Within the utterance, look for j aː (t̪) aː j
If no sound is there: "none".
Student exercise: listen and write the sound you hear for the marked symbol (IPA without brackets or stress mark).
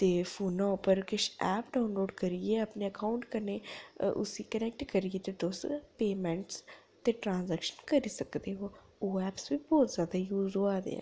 d̪